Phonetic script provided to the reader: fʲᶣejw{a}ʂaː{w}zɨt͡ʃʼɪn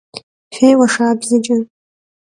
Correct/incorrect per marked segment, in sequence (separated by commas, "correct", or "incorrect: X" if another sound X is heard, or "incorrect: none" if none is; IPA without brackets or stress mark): correct, incorrect: b